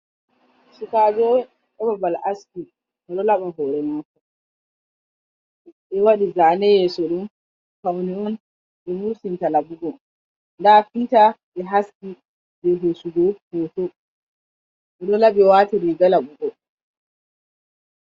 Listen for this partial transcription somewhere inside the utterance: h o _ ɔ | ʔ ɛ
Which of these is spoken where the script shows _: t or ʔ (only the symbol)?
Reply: t